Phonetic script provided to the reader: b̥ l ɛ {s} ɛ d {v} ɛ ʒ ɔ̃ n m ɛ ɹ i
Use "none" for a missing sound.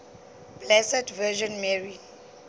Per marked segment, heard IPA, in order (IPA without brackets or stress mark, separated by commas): s, v